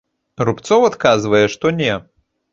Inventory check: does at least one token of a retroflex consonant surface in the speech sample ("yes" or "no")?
yes